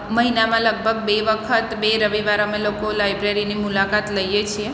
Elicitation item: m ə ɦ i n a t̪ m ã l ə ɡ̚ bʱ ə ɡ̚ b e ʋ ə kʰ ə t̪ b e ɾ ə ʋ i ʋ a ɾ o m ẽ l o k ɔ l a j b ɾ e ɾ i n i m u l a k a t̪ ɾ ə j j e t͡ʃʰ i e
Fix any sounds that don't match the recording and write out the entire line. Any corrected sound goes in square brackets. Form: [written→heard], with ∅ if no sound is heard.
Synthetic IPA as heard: m ə ɦ i n a [t̪→∅] m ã l ə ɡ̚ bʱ ə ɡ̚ b e ʋ ə kʰ ə t̪ b e ɾ ə ʋ i ʋ a ɾ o m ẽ l o k [ɔ→o] l a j b ɾ e ɾ i n i m u l a k a t̪ [ɾ→l] ə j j e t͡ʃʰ i e

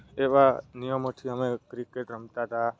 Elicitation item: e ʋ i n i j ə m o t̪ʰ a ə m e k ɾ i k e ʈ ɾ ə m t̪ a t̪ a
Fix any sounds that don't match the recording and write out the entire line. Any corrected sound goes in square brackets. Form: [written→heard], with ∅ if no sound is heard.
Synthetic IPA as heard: e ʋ [i→a] n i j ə m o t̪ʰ [a→i] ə m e k ɾ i k e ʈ ɾ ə m t̪ a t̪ a

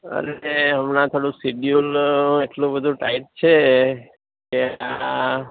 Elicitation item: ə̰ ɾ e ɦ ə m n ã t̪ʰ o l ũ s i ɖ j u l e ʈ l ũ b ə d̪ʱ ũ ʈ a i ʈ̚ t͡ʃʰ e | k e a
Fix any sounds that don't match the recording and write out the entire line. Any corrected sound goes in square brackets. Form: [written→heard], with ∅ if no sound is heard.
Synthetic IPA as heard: ə̰ ɾ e ɦ ə m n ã t̪ʰ o [l→ɽ] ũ s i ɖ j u l e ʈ l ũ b ə d̪ʱ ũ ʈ a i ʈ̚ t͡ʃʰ e | k e a

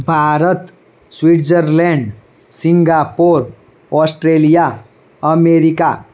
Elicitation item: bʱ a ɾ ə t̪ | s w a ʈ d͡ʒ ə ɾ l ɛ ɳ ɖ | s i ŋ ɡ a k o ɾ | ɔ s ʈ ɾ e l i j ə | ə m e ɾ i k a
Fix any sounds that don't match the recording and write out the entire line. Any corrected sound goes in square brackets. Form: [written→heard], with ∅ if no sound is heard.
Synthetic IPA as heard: bʱ a ɾ ə t̪ | s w [a→i] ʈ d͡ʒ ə ɾ l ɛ ɳ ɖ | s i ŋ ɡ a [k→p] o ɾ | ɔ s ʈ ɾ e l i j [ə→a] | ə m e ɾ i k a

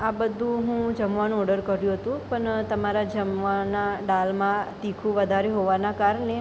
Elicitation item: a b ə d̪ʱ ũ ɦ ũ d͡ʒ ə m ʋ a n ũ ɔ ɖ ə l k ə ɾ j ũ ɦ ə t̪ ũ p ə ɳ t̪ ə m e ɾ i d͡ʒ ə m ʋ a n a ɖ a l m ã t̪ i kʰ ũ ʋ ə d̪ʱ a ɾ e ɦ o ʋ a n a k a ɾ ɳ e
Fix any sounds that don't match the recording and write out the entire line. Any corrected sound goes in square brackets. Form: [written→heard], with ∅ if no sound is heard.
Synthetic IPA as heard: a b ə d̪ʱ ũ ɦ ũ d͡ʒ ə m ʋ a n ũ ɔ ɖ ə [l→ɾ] k ə ɾ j ũ ɦ ə t̪ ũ p ə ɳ t̪ ə m [e→a] ɾ [i→a] d͡ʒ ə m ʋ a n a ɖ a l m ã t̪ i kʰ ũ ʋ ə d̪ʱ a ɾ e ɦ o ʋ a n a k a ɾ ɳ e

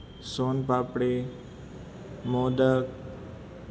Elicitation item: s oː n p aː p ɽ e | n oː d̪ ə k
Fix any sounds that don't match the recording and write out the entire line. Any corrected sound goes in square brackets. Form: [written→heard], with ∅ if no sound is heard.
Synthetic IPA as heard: s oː n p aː p ɽ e | [n→m] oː d̪ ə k

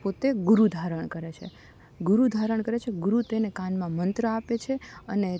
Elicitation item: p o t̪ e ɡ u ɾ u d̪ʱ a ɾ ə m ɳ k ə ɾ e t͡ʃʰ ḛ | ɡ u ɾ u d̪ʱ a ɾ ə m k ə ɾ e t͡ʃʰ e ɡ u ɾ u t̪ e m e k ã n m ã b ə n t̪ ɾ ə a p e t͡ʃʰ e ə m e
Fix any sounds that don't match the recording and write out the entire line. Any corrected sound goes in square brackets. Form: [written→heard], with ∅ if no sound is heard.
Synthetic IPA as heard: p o t̪ e ɡ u ɾ u d̪ʱ a ɾ ə [m→∅] ɳ k ə ɾ e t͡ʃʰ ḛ | ɡ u ɾ u d̪ʱ a ɾ ə [m→ɳ] k ə ɾ e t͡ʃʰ e ɡ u ɾ u t̪ e [m→n] e k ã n m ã [b→m] ə n t̪ ɾ ə a p e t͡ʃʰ e ə [m→n] e

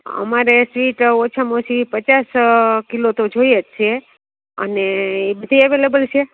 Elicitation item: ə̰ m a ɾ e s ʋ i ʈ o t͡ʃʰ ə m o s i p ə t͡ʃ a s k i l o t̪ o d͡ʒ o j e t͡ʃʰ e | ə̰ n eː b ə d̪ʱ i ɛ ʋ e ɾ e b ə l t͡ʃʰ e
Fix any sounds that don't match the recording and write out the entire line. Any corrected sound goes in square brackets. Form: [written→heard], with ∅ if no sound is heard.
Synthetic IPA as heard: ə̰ m a ɾ e s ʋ i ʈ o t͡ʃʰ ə m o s i p ə t͡ʃ a s k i l o t̪ o d͡ʒ o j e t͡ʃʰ e | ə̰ n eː b ə d̪ʱ i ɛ ʋ e [ɾ→l] e b ə l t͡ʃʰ e

